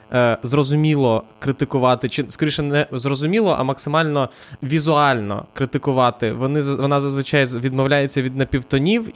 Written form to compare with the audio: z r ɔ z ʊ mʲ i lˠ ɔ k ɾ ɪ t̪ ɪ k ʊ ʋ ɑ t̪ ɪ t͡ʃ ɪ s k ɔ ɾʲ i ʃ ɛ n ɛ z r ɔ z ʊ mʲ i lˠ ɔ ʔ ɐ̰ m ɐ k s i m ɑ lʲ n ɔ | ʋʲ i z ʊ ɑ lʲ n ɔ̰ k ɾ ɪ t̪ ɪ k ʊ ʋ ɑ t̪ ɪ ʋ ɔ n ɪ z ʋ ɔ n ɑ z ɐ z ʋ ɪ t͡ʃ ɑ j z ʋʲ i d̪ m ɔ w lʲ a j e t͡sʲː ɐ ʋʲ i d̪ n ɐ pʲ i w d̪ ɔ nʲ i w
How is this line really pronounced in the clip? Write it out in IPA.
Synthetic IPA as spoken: z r ɔ z ʊ mʲ i lˠ ɔ k ɾ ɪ t̪ ɪ k ʊ ʋ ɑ t̪ ɪ t͡ʃ ɪ s k ɔ ɾʲ i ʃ ɛ n ɛ z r ɔ z ʊ mʲ i lˠ ɔ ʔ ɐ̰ m ɐ k s ɪ m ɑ lʲ n ɔ | ʋʲ i z ʊ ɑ lʲ n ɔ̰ k ɾ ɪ t̪ ɪ k ʊ ʋ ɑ t̪ ɪ ʋ ɔ n ɪ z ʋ ɔ n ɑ z ɐ z ʋ ɪ t͡ʃ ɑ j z ʋʲ i d̪ m ɔ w lʲ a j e t͡sʲː ɐ ʋʲ i d̪ n ɐ pʲ i w t̪ ɔ nʲ i w